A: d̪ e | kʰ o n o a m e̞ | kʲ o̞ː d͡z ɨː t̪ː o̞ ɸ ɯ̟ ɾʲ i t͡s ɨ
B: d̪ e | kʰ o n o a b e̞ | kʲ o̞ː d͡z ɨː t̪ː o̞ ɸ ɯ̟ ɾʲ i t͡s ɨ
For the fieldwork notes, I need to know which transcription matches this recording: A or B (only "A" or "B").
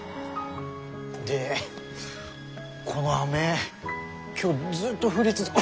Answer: A